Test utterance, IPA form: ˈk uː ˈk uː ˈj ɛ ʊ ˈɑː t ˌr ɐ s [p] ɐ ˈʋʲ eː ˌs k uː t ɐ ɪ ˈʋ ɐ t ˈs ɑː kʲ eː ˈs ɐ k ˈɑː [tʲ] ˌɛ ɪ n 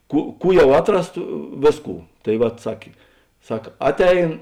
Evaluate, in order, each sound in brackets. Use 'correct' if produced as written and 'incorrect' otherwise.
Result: incorrect: t, correct

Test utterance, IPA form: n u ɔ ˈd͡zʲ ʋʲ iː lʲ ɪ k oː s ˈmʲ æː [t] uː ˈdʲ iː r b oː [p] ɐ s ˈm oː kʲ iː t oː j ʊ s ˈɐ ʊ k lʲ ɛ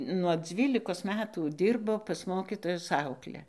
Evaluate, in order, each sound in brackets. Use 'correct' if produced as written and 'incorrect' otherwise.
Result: correct, correct

